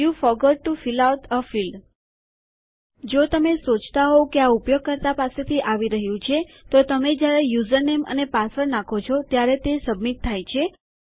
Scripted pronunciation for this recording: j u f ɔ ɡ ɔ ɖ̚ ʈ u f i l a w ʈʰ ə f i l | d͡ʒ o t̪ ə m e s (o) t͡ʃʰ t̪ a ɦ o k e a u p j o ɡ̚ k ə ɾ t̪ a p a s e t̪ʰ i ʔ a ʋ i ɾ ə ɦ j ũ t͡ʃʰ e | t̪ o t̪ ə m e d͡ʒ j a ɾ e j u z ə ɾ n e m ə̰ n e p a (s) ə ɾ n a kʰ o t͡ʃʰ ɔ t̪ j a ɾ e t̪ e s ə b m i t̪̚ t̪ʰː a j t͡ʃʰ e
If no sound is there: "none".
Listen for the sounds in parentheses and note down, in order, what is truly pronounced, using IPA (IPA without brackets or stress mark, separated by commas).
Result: o, s